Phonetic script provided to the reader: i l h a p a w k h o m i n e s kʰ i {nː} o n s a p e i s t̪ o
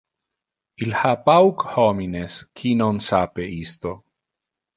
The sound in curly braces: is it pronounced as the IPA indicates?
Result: no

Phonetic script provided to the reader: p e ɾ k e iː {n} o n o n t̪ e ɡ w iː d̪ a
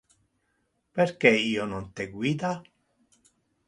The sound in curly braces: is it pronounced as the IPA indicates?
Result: no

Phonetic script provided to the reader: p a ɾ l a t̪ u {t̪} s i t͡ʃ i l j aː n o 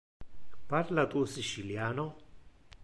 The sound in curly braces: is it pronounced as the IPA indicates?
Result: no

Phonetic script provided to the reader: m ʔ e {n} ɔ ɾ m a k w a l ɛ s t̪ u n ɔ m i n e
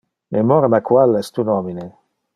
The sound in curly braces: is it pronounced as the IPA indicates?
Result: no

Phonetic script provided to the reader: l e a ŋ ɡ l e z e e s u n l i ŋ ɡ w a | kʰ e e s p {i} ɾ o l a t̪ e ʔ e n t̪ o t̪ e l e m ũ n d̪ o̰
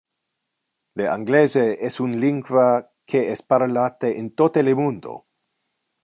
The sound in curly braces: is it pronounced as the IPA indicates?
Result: no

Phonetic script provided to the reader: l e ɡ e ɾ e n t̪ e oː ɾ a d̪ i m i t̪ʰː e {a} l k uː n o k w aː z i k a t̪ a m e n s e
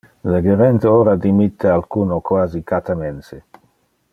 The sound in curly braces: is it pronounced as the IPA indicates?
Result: yes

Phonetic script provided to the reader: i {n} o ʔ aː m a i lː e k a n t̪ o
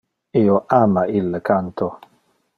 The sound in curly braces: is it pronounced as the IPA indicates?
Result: no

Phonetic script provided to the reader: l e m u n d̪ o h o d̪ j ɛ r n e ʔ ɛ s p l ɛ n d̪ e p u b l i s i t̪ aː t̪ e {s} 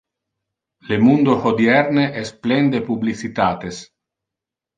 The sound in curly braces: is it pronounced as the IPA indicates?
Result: yes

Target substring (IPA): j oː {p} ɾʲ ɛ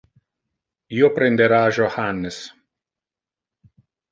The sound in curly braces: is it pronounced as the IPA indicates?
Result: yes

